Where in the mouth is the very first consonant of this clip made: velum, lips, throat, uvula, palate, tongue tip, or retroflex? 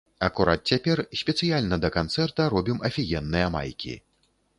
velum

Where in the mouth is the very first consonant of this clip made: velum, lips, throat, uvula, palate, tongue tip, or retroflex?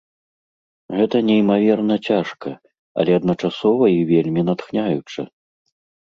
velum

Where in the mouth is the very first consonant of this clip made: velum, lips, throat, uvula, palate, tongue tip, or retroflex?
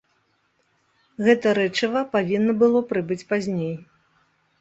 velum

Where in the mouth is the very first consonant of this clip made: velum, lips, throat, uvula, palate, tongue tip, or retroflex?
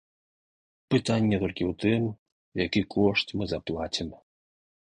lips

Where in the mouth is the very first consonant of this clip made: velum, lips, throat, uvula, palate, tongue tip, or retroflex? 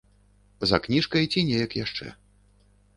tongue tip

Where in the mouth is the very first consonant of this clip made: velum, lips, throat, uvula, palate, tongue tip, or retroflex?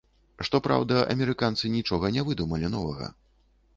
retroflex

